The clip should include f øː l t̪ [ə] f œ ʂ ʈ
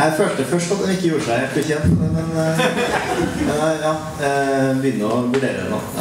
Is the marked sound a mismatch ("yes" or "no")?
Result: no